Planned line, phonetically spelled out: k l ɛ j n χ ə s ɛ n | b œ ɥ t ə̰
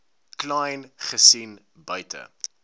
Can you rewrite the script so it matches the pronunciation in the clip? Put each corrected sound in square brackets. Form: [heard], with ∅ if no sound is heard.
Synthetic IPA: k l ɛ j n χ ə s [i] n | b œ ɥ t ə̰